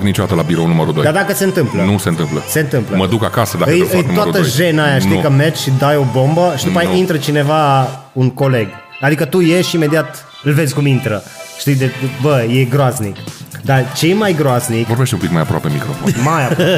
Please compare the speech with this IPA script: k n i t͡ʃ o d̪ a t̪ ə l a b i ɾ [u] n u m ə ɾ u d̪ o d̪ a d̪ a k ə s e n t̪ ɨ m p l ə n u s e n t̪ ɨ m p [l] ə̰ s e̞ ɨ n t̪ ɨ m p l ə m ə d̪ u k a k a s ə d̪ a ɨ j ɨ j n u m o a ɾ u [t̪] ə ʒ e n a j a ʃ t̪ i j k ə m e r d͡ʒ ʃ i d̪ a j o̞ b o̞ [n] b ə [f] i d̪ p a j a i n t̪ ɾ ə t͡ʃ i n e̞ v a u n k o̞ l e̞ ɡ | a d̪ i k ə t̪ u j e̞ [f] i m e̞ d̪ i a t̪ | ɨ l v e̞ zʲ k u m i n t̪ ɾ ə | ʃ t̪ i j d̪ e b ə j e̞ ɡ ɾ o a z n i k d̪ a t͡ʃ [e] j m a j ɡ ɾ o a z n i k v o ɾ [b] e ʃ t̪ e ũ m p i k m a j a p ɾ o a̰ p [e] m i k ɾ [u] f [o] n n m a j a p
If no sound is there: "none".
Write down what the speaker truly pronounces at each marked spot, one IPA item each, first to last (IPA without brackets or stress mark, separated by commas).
o, l, t̪, m, ʃ, ʃ, e, b, e, o, o